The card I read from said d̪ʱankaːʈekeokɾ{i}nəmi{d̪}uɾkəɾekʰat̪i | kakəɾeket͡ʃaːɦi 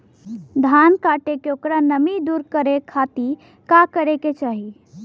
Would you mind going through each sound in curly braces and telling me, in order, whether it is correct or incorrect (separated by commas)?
incorrect, correct